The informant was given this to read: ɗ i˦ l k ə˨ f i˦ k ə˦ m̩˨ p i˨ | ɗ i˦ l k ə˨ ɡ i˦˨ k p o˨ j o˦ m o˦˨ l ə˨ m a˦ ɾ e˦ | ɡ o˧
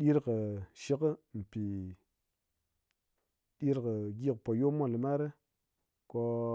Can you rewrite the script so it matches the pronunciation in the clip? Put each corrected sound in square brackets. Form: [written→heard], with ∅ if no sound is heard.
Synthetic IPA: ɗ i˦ [l→ɾ] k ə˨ [f→ʃ] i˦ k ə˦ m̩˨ p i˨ | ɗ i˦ [l→ɾ] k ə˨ ɡ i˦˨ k p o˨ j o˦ m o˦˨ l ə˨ m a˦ ɾ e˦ | [ɡ→k] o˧